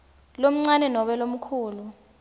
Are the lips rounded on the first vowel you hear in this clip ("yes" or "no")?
yes